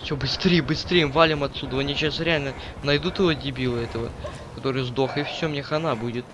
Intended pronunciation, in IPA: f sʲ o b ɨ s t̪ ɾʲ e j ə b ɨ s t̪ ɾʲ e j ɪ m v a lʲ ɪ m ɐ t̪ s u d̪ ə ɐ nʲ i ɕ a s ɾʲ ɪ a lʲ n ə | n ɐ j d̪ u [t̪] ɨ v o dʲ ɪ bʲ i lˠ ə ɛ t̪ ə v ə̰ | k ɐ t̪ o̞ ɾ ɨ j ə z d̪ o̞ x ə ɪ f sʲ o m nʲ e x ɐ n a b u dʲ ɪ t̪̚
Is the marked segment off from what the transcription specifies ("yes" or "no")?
no